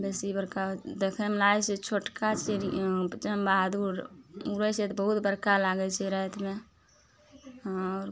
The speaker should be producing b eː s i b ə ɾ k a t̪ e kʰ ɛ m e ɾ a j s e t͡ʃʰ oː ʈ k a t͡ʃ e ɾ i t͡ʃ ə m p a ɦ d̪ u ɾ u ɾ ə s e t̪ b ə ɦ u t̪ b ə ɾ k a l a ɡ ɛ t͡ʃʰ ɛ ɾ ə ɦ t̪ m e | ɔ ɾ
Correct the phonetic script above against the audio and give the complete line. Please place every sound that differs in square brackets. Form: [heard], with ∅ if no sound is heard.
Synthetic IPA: b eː s i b ə ɾ k a [d̪] e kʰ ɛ m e [l] a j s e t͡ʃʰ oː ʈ k a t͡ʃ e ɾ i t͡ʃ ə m [b] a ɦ d̪ u ɾ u ɾ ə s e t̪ b ə ɦ u t̪ b ə ɾ k a l a ɡ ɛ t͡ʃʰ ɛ ɾ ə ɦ t̪ m e | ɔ ɾ